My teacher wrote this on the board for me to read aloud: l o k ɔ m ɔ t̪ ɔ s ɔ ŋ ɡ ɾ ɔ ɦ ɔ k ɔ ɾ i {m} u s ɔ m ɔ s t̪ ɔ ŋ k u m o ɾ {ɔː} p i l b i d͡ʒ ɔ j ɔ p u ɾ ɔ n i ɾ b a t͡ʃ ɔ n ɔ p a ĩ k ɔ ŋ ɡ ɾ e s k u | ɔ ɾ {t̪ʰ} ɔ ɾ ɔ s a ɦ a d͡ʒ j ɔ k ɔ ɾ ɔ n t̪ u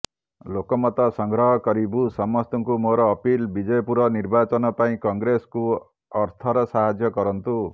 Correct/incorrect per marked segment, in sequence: incorrect: b, correct, correct

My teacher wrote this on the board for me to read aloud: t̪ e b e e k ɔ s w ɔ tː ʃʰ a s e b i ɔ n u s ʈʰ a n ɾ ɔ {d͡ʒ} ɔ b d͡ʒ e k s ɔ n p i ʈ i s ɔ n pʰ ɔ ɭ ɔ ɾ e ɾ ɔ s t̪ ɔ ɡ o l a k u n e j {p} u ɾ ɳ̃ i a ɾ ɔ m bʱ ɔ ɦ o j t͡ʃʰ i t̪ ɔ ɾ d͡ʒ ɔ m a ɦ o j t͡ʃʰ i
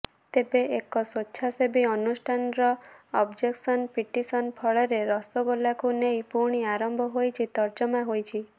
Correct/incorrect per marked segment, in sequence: incorrect: none, correct

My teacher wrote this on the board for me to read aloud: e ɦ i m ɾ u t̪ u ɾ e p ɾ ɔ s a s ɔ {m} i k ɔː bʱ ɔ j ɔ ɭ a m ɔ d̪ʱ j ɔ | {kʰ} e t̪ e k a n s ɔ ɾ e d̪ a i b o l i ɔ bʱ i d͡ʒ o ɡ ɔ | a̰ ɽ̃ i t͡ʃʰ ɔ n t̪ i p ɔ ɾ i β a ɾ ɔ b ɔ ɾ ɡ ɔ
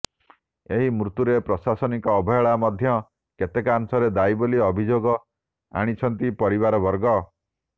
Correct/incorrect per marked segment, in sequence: incorrect: n, incorrect: k

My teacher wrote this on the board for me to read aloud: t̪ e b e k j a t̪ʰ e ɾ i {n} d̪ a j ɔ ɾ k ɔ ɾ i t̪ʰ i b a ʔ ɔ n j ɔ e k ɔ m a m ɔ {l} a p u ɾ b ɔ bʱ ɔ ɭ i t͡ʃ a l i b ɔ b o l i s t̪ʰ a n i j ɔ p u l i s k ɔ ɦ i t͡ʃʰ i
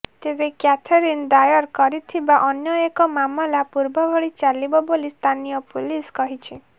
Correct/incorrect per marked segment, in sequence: correct, correct

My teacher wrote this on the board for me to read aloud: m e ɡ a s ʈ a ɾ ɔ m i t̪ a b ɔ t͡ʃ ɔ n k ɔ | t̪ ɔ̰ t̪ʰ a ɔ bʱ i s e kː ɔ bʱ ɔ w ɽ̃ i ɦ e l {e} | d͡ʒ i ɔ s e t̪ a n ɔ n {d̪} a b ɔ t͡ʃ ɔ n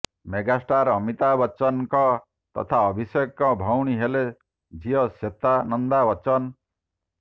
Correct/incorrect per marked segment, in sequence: correct, correct

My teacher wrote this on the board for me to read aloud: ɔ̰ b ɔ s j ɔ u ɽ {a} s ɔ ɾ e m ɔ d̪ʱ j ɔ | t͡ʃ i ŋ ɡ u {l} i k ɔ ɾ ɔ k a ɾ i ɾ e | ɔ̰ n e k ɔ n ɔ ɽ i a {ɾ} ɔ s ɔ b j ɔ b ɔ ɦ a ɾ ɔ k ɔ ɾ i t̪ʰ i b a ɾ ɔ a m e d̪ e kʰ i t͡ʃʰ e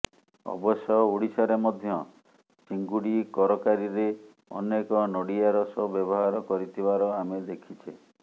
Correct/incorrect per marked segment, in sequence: incorrect: i, incorrect: ɽ, correct

